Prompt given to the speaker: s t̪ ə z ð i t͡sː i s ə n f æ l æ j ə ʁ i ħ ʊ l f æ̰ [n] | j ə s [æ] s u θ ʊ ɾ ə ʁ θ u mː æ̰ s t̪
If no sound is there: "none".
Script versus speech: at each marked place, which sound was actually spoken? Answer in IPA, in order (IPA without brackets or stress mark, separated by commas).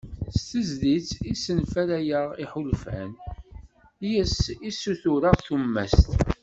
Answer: n, i